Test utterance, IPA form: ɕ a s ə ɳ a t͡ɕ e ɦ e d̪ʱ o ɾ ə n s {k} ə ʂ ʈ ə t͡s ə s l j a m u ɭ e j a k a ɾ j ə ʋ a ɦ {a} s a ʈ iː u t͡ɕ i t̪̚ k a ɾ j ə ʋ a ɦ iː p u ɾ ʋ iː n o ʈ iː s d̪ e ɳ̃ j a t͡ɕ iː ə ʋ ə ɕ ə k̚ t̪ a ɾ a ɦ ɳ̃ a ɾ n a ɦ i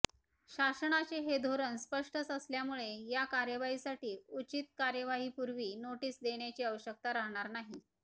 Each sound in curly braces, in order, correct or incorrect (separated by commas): incorrect, incorrect